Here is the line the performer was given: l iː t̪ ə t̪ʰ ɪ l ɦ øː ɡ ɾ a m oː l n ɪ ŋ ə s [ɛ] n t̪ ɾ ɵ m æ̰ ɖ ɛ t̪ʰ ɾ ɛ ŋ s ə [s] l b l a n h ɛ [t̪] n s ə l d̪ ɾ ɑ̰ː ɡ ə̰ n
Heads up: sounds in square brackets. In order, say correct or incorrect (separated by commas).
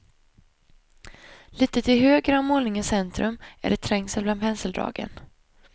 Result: correct, incorrect, incorrect